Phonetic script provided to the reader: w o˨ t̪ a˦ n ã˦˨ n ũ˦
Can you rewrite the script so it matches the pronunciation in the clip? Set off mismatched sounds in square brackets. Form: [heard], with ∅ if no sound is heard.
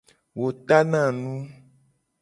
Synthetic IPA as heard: w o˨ t̪ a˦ n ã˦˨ n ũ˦

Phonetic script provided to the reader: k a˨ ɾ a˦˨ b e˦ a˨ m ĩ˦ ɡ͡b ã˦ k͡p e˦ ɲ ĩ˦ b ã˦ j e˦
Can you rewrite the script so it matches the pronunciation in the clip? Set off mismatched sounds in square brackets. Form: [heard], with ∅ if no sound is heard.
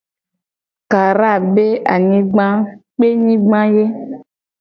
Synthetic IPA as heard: k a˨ ɾ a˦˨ b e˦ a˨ [ɲ] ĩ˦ ɡ͡b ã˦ k͡p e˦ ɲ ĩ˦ [ɡ͡b] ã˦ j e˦

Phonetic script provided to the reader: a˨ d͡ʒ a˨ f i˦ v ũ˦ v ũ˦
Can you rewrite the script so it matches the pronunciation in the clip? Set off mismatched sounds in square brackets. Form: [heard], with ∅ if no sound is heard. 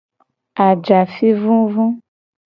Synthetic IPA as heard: a˨ d͡ʒ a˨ f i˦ v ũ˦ v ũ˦

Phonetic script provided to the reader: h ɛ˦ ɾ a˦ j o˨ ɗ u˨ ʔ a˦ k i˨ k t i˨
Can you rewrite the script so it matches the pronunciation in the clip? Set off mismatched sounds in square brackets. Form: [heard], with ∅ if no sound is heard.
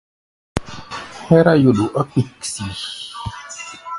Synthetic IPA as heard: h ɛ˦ ɾ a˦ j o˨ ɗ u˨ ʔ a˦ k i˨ k [s] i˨

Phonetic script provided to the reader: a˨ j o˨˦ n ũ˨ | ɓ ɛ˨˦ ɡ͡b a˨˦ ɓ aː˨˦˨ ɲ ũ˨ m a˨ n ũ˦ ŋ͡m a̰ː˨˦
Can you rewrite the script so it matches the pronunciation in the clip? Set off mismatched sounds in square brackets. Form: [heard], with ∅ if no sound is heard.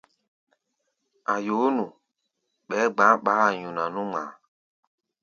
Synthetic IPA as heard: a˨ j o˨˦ n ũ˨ | ɓ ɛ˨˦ ɡ͡b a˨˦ ɓ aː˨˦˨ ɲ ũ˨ [n] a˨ n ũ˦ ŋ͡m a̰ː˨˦

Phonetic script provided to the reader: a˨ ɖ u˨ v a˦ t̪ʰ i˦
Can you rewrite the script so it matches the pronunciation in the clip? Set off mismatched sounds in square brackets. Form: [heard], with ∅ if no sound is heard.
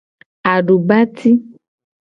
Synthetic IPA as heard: a˨ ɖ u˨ [b] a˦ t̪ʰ i˦

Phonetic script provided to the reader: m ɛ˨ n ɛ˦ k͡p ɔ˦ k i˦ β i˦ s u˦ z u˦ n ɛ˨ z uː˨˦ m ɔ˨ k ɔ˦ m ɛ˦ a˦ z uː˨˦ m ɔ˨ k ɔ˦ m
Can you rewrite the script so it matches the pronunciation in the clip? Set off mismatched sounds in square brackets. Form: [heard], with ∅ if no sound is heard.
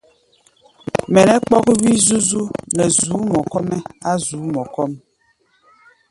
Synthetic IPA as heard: m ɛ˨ n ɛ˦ k͡p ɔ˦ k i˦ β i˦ [z] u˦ z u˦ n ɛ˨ z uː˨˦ m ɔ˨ k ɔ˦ m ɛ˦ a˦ z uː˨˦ m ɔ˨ k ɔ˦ m

